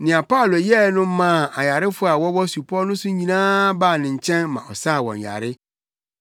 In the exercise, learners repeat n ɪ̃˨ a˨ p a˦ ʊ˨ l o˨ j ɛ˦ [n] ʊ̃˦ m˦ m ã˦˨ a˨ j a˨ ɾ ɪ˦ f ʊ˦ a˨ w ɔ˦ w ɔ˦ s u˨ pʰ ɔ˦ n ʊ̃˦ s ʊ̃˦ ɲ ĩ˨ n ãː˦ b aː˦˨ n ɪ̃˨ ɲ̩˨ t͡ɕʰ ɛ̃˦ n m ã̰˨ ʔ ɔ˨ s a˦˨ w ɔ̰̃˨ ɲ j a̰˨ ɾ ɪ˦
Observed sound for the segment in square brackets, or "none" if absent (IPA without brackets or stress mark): n